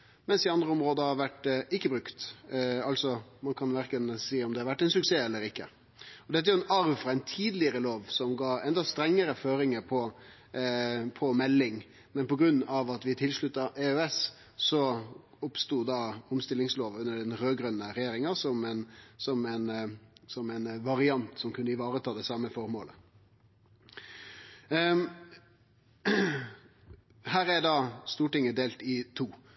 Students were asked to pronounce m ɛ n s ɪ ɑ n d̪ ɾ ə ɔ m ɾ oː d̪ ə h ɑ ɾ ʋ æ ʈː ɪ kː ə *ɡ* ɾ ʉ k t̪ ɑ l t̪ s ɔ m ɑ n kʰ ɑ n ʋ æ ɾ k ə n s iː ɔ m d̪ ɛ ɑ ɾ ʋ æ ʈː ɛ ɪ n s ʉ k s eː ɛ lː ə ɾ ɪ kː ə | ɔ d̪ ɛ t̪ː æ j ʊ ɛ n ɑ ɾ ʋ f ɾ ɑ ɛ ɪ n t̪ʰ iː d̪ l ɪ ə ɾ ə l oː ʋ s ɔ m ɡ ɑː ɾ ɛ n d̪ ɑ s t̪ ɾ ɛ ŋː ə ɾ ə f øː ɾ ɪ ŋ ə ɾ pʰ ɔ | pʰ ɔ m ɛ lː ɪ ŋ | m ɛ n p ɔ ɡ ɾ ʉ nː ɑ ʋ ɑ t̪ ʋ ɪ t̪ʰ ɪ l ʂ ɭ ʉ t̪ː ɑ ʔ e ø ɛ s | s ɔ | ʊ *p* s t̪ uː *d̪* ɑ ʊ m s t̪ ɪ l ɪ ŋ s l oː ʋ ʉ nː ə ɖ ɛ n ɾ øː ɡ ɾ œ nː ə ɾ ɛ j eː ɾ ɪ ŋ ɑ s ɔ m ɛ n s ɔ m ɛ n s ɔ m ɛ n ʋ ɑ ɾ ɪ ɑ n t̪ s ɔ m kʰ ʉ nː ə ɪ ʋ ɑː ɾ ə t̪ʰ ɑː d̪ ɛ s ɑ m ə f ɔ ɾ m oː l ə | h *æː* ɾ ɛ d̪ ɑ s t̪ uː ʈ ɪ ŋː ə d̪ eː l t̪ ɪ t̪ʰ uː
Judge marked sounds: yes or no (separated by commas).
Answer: no, yes, yes, yes